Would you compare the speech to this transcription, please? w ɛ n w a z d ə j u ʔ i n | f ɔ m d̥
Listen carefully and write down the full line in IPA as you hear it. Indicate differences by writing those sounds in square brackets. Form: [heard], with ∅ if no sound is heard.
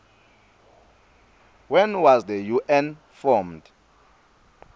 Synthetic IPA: w ɛ n w a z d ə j u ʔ [ɛ] n | f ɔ m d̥